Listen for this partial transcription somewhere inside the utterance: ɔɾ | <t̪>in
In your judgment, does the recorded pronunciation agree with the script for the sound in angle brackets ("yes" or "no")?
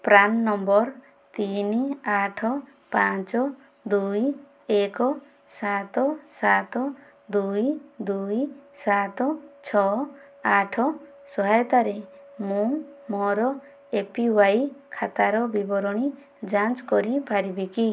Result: yes